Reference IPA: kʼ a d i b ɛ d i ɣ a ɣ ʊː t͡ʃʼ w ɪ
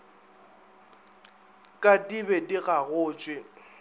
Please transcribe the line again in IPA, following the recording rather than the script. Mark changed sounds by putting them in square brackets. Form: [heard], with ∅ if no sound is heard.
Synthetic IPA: kʼ a d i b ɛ d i ɣ a ɣ ʊː t͡ʃʼ w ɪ